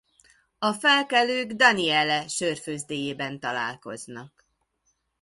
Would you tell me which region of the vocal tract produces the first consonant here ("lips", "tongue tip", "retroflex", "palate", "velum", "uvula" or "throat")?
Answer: lips